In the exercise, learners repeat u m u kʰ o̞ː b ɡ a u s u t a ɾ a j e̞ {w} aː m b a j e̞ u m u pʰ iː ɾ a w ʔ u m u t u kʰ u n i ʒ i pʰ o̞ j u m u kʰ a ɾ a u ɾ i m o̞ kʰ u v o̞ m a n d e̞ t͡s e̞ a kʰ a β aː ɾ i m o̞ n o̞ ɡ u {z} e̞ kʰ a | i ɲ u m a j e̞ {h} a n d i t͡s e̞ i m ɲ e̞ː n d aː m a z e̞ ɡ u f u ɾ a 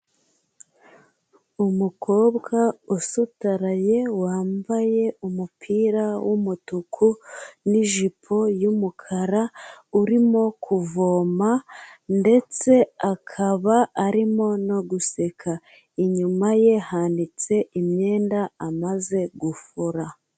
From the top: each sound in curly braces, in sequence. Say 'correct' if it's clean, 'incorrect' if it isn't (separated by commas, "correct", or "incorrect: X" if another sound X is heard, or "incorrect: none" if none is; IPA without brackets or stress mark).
correct, incorrect: s, correct